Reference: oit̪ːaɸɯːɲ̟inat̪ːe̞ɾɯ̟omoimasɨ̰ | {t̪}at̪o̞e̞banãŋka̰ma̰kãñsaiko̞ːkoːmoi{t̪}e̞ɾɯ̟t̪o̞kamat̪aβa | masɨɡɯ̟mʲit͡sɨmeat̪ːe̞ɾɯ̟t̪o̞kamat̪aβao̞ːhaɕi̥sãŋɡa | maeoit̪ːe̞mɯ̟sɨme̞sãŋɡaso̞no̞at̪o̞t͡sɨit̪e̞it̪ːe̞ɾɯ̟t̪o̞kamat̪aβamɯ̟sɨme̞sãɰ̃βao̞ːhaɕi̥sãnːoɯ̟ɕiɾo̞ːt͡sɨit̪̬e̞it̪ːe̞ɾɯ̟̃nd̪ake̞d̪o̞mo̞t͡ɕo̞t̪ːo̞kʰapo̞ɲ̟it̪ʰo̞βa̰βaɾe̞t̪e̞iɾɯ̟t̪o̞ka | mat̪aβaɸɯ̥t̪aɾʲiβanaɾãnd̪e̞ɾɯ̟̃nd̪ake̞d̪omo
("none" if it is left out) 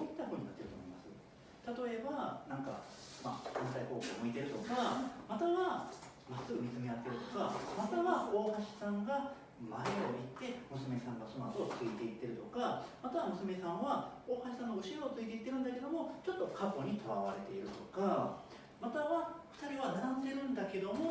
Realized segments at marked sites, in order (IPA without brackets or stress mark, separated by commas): t̪, t̪